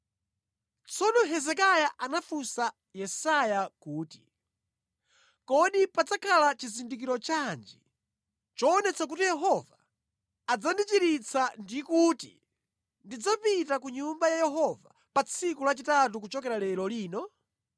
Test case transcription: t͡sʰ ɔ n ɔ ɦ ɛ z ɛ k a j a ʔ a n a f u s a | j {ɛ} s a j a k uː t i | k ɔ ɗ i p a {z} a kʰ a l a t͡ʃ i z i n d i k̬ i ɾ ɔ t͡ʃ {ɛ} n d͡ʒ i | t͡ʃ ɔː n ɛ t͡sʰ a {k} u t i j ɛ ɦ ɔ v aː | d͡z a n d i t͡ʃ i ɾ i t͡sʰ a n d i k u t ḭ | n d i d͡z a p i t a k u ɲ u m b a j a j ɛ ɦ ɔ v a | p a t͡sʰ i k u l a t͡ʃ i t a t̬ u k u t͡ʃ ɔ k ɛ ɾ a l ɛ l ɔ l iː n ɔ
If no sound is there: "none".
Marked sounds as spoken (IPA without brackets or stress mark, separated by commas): ɛ, d͡z, a, k